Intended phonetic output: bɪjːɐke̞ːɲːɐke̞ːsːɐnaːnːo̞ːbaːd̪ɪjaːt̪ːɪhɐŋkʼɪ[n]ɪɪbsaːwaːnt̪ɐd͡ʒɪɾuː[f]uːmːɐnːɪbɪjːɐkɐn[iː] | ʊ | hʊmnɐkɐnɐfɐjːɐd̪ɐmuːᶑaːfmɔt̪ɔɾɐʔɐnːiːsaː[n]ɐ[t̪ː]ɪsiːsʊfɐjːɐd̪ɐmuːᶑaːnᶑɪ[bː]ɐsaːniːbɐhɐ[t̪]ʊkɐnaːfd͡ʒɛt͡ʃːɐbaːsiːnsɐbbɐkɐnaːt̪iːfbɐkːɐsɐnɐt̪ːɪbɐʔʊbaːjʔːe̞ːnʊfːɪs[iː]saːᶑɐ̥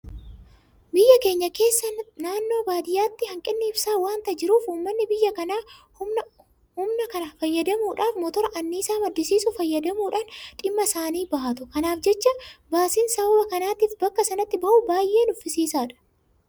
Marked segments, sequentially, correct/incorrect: incorrect, correct, incorrect, incorrect, incorrect, incorrect, correct, correct

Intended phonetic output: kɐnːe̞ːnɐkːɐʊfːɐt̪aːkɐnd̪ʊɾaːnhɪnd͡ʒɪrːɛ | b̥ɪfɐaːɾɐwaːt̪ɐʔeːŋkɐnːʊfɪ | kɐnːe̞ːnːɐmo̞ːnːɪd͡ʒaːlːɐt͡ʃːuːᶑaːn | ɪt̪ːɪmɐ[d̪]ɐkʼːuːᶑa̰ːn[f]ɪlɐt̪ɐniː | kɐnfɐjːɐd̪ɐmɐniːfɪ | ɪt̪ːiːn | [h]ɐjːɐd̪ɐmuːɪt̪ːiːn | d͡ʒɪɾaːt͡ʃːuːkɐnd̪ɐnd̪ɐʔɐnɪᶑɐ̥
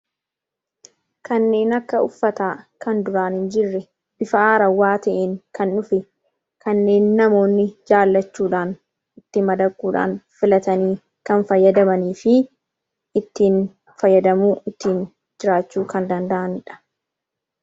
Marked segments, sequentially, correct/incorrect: correct, correct, incorrect

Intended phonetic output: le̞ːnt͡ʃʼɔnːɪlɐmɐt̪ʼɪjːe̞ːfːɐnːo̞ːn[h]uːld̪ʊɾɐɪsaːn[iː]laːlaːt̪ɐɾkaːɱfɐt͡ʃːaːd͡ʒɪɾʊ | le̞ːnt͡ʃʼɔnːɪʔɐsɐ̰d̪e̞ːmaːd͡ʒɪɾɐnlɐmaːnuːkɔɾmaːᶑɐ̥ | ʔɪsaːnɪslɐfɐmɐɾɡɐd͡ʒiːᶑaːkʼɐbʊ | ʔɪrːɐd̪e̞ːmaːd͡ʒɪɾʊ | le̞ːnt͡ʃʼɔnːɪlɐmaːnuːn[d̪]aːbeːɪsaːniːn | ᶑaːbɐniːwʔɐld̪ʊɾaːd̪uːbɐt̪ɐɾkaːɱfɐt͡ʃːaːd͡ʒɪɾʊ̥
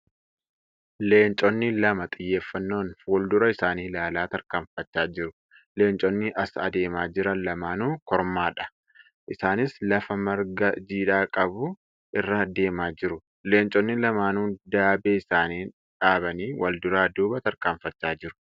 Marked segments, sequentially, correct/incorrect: incorrect, correct, correct

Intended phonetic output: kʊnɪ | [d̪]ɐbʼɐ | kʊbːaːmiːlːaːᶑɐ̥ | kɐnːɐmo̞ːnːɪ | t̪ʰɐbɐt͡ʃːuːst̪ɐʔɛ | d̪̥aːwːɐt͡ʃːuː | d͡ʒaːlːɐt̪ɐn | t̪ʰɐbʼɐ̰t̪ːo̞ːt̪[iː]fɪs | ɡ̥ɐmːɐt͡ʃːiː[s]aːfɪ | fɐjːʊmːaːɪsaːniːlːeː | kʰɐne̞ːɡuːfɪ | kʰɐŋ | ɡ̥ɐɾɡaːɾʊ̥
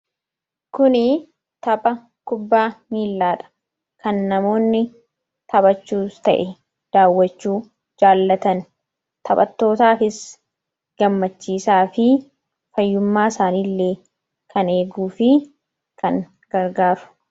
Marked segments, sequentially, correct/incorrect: incorrect, incorrect, correct

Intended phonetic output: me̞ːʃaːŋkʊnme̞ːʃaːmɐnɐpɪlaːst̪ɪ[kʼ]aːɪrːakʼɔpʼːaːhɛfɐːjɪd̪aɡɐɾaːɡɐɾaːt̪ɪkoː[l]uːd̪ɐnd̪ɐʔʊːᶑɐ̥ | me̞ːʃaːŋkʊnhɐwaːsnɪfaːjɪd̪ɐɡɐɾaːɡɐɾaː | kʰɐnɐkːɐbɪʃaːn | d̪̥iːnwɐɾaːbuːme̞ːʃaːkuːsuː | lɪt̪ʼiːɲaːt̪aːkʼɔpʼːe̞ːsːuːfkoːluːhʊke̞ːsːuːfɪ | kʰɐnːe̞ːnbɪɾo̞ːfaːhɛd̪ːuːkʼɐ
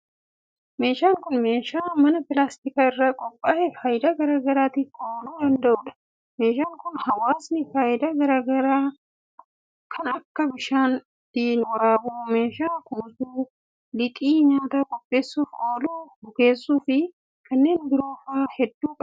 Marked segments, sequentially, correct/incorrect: incorrect, correct

